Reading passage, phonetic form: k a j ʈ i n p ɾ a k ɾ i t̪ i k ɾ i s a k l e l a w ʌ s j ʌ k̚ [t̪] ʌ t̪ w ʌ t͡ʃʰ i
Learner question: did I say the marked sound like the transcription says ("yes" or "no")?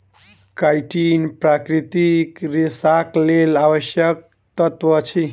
yes